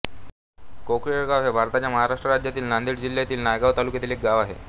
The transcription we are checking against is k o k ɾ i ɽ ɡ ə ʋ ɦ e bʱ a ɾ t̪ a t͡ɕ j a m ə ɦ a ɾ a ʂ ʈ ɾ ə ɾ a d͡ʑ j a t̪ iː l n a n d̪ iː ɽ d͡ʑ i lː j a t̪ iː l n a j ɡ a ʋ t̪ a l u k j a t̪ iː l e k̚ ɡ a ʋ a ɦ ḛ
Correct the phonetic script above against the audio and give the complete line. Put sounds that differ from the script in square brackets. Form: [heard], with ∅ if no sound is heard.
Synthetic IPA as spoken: k o k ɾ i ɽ ɡ [a] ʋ ɦ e bʱ a ɾ t̪ a t͡ɕ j a m ə ɦ a ɾ a ʂ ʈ ɾ ə ɾ a d͡ʑ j a t̪ iː l n a n d̪ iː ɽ d͡ʑ i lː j a t̪ iː l n a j ɡ a ʋ t̪ a l u k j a t̪ iː l e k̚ ɡ a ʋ a ɦ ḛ